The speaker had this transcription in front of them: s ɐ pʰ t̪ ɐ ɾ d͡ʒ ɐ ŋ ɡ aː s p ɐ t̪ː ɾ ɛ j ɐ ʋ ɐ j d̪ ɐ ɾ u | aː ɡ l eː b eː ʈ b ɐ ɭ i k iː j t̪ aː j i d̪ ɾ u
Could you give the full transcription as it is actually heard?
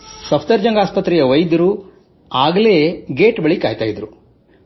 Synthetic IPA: s ɐ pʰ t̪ ɐ ɾ d͡ʒ ɐ ŋ ɡ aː s p ɐ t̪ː ɾ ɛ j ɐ ʋ ɐ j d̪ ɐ ɾ u | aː ɡ l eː ɡ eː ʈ b ɐ ɭ i k aː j t̪ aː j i d̪ ɾ u